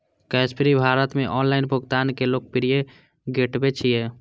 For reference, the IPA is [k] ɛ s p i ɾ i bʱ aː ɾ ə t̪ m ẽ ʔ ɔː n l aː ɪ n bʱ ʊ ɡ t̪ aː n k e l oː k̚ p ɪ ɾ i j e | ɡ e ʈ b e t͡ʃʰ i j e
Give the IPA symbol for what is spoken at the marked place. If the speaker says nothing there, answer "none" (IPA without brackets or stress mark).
k